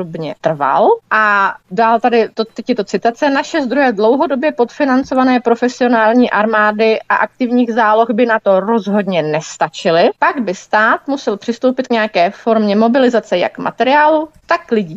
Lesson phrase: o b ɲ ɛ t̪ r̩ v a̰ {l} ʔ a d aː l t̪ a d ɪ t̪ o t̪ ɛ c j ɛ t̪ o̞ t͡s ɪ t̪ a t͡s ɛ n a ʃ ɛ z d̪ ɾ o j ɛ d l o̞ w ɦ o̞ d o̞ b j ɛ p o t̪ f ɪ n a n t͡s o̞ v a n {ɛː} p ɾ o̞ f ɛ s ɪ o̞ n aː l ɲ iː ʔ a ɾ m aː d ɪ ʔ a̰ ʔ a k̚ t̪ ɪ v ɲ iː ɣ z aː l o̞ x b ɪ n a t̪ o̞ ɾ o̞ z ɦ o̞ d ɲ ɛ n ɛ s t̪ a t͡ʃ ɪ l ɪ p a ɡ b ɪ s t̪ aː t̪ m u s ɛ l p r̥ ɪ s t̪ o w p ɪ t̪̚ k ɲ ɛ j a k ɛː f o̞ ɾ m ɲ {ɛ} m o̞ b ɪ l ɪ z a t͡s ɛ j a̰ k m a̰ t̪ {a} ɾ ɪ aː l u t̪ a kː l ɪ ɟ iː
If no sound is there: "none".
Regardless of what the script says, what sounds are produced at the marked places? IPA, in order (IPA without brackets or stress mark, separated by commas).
l, ɛː, ɛ, ɛ